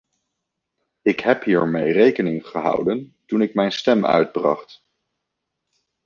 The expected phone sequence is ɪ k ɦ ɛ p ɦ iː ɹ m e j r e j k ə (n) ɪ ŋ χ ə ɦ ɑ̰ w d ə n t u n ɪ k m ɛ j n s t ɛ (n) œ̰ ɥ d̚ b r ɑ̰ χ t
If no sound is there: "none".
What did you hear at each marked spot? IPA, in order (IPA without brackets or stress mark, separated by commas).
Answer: n, m